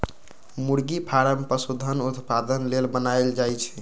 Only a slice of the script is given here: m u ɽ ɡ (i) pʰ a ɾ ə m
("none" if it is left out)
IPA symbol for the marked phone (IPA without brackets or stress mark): i